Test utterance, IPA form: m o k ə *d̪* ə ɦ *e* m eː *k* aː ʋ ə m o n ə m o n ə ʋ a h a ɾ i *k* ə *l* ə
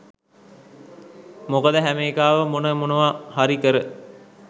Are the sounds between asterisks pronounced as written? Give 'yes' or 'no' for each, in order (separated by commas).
yes, no, yes, yes, no